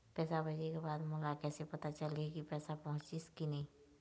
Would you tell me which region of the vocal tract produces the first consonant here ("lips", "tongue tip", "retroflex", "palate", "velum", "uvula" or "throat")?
lips